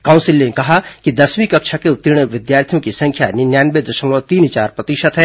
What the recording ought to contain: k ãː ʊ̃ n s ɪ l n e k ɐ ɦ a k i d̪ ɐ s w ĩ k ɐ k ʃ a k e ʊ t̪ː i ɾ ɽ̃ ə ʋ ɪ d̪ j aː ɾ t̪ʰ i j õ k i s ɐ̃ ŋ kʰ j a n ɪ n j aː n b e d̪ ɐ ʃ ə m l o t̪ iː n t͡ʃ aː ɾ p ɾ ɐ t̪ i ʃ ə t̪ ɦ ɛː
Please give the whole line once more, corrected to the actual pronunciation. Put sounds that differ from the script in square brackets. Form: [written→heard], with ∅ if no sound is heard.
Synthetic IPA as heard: k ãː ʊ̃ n s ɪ l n e k ɐ ɦ a k i d̪ ɐ s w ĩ k ɐ k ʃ a k e ʊ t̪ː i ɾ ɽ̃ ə ʋ ɪ d̪ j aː ɾ t̪ʰ i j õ k i s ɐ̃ ŋ kʰ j a n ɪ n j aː n b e d̪ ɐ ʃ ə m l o t̪ iː n t͡ʃ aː ɾ p ɾ ɐ t̪ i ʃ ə t̪ ɦ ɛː